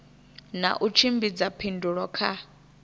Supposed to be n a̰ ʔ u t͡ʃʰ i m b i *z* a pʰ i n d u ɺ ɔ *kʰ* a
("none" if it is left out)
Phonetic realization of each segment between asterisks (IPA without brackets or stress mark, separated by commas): d͡z, kʰ